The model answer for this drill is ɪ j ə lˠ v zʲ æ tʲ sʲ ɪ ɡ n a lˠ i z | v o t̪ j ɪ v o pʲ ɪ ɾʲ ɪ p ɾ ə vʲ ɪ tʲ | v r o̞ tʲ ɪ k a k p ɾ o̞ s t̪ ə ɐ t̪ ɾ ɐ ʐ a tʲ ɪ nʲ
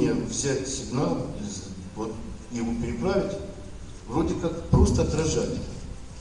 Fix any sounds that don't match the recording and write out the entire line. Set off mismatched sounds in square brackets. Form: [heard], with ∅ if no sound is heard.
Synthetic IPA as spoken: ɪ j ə [∅] v zʲ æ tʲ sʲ ɪ ɡ n a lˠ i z | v o t̪ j ɪ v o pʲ ɪ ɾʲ ɪ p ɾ [a] vʲ ɪ tʲ | v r o̞ [dʲ] ɪ k a k p ɾ o̞ s t̪ ə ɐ t̪ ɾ ɐ ʐ a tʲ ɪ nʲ